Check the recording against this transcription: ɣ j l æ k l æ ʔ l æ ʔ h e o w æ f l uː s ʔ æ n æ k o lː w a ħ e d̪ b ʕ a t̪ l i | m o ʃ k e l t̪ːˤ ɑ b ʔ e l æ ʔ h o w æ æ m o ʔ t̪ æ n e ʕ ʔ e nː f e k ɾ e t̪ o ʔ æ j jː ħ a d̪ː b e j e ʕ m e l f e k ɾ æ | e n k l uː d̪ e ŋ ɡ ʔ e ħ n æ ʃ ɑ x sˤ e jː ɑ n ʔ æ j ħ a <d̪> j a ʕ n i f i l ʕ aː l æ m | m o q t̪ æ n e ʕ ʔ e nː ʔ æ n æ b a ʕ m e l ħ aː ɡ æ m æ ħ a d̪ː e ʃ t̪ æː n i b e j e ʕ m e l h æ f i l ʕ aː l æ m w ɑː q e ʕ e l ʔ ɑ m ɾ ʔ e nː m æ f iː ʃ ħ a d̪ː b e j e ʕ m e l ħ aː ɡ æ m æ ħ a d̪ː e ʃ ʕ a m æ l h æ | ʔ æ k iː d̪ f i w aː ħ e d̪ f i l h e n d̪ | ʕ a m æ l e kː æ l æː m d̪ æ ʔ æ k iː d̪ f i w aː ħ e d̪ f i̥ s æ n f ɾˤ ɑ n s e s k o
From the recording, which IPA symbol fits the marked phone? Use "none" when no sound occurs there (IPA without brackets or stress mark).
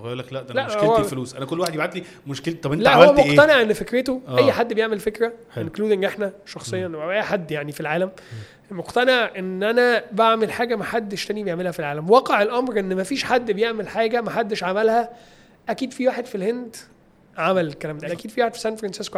d̪ː